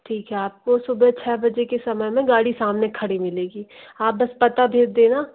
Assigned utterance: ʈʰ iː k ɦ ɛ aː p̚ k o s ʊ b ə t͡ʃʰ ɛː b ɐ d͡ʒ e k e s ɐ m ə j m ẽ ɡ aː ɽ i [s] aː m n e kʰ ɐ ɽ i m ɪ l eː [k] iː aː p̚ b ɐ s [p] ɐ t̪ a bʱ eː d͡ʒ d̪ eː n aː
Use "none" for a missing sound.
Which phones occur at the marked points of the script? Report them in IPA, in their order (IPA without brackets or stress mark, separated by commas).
s, ɡ, p